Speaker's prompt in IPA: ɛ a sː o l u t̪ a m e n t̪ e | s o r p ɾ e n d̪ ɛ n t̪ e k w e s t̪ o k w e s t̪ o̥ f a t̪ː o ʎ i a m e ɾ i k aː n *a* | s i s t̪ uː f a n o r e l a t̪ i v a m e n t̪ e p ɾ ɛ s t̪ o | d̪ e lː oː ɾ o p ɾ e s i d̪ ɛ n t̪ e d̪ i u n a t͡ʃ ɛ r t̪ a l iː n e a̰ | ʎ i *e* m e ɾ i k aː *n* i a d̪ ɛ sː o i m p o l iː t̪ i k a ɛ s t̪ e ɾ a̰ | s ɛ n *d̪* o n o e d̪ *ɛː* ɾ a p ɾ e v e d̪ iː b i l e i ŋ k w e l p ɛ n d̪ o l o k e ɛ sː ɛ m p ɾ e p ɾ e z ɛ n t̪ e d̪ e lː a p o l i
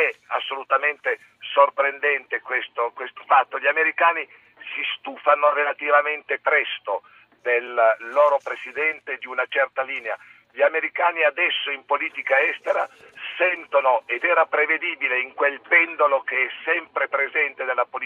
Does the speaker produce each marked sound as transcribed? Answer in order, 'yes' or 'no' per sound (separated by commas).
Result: no, no, yes, no, yes